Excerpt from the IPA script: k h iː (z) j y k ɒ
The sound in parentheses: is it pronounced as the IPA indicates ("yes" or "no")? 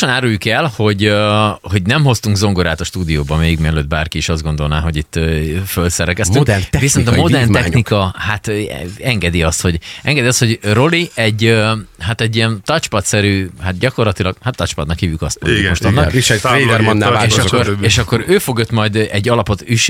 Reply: no